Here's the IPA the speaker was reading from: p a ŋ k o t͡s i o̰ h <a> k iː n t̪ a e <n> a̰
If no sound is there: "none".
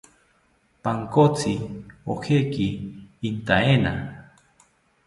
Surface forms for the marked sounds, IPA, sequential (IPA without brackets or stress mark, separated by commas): e, n